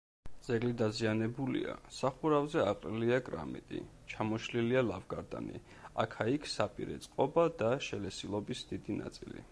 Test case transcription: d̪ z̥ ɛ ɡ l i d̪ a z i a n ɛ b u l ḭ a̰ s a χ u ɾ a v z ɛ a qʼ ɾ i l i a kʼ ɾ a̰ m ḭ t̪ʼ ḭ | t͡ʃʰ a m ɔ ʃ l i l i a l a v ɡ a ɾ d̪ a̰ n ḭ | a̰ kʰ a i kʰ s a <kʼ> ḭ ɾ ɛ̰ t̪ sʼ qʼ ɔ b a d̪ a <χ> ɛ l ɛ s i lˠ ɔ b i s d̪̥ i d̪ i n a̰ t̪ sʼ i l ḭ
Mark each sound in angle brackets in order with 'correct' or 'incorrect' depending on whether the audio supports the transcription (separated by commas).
incorrect, incorrect